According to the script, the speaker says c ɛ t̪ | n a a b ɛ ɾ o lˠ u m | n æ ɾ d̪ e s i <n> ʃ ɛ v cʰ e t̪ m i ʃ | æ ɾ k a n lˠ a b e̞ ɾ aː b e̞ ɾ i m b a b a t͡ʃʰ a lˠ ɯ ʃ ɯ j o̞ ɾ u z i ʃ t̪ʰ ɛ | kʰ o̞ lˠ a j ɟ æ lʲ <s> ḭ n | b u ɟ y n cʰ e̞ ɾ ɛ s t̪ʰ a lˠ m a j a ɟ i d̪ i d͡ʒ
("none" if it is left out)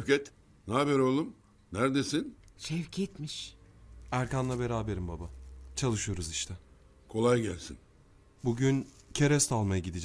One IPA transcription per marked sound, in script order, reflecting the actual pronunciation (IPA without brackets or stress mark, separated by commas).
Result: n, s